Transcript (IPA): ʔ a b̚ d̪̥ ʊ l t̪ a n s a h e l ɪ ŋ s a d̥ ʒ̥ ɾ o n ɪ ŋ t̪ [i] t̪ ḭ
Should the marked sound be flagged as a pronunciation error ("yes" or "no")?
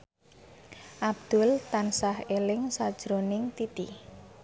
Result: no